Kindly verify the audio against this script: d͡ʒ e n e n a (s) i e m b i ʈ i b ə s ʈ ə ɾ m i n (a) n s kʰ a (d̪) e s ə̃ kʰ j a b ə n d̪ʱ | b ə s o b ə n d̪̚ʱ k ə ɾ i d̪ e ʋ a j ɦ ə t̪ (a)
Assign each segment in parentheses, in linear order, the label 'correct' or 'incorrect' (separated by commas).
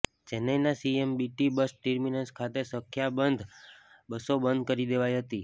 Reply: correct, incorrect, incorrect, incorrect